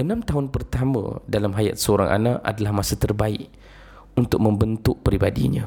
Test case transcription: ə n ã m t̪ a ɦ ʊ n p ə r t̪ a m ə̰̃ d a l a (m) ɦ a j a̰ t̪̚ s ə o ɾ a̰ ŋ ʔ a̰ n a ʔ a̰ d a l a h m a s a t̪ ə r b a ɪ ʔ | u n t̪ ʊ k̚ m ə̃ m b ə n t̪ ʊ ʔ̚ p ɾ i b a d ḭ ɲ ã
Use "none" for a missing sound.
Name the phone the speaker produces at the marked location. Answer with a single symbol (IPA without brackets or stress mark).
m